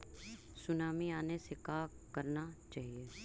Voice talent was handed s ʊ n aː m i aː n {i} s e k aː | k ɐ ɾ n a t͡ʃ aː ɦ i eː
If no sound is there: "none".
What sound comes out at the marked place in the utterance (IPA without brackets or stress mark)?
e